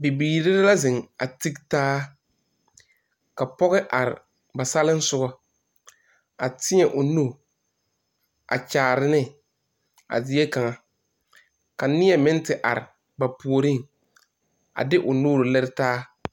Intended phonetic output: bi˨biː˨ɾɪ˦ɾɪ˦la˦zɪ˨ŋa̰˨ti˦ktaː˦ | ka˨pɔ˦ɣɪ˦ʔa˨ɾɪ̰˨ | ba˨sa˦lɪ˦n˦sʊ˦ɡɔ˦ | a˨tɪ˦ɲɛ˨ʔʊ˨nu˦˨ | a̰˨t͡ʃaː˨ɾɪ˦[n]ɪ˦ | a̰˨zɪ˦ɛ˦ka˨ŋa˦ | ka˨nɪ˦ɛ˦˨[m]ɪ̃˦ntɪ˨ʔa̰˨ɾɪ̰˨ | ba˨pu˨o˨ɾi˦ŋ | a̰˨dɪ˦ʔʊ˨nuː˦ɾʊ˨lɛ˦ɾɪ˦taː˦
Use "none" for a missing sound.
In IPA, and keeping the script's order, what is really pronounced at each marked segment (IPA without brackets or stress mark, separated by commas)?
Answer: n, m